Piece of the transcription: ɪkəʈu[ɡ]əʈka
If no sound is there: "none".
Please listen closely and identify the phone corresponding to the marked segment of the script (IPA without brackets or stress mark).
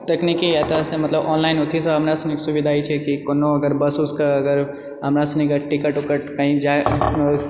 k